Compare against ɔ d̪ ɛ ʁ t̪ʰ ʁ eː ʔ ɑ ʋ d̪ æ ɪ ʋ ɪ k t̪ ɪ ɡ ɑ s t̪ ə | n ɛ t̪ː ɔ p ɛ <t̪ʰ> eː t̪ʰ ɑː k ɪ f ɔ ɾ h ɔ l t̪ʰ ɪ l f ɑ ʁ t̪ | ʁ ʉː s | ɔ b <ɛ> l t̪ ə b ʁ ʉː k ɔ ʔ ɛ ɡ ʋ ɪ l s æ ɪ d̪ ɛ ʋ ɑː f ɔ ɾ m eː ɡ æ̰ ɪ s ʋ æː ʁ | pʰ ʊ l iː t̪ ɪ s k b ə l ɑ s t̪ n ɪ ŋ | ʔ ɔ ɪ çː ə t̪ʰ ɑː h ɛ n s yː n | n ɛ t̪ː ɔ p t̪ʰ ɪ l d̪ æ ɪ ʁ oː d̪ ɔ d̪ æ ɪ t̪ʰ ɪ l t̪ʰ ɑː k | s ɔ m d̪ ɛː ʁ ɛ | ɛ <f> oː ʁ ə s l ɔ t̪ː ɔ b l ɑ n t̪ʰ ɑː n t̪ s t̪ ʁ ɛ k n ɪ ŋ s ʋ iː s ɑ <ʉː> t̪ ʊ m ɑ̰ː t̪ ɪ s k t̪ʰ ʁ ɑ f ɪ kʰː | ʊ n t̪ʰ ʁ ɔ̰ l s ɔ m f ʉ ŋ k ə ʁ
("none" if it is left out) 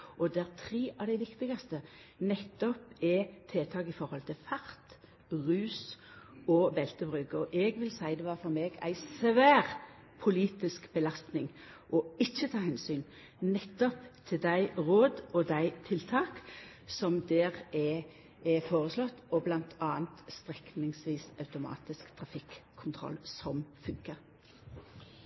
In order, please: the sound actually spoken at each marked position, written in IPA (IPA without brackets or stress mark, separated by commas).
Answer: t̪ʰ, ɛ, f, ʉ